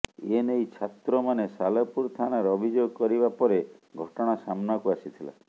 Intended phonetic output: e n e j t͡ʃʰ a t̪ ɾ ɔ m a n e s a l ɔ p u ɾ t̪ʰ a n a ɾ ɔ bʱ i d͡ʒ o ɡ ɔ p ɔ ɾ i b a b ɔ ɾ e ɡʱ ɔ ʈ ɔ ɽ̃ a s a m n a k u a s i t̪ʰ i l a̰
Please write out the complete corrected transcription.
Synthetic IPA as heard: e n e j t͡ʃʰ a t̪ ɾ ɔ m a n e s a l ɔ p u ɾ t̪ʰ a n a ɾ ɔ bʱ i d͡ʒ o ɡ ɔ k ɔ ɾ i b a p ɔ ɾ e ɡʱ ɔ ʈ ɔ ɽ̃ a s a m n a k u a s i t̪ʰ i l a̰